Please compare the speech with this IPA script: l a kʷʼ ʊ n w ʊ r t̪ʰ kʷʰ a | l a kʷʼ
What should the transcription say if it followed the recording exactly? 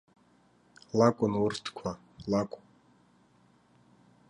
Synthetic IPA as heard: l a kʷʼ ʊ n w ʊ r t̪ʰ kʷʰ a | l a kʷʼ